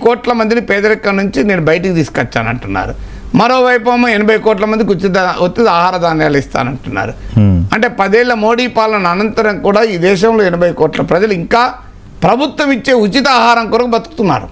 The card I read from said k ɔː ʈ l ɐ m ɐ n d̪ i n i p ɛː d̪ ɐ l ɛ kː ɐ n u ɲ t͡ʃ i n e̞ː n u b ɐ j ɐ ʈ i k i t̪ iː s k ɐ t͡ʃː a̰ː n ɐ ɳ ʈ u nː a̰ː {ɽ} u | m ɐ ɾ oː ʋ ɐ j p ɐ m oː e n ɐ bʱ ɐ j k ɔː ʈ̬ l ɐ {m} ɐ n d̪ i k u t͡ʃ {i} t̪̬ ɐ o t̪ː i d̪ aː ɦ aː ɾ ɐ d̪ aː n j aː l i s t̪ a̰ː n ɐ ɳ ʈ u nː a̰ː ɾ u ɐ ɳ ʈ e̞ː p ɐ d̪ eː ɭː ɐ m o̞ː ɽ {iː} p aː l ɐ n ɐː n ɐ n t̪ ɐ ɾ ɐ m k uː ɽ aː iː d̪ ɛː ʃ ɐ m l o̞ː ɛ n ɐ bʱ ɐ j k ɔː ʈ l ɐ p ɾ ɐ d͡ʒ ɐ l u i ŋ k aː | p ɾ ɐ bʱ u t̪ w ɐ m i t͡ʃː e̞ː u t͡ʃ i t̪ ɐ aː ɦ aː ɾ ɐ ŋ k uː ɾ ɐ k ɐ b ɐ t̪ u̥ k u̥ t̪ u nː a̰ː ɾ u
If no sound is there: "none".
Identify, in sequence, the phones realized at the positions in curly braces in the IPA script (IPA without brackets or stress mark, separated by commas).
ɾ, m, i, iː